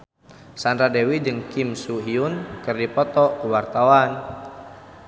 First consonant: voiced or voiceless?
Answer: voiceless